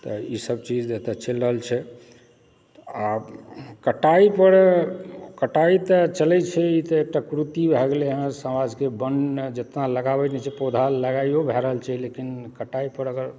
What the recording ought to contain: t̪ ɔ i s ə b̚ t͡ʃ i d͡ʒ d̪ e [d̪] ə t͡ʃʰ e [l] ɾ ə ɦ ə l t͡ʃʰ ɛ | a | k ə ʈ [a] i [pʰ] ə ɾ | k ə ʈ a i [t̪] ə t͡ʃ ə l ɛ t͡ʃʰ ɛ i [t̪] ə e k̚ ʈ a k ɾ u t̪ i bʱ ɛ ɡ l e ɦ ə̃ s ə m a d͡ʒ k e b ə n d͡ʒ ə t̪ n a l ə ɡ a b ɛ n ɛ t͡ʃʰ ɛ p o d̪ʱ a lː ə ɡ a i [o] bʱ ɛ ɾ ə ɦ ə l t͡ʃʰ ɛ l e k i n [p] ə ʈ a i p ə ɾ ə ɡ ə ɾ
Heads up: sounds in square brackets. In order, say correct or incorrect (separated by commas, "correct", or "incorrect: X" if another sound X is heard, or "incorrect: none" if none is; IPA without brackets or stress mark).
incorrect: t̪, correct, correct, incorrect: p, correct, correct, correct, incorrect: k